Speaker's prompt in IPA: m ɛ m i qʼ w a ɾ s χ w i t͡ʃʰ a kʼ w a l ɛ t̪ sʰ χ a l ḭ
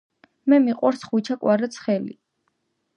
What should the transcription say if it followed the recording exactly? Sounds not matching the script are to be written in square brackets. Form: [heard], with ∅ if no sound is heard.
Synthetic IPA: m ɛ m i qʼ w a ɾ s χ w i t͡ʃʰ a kʼ w a [ɾ] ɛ t̪ sʰ χ [ɛ] l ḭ